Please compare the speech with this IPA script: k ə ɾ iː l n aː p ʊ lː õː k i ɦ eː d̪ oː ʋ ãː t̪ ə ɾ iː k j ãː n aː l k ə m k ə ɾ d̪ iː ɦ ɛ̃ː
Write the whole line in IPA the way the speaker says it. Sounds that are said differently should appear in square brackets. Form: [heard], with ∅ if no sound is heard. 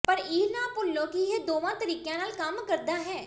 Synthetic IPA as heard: [p] ə ɾ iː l n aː p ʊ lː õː k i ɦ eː d̪ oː ʋ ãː t̪ ə ɾ iː k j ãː n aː l k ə m k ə ɾ d̪ [aː] ɦ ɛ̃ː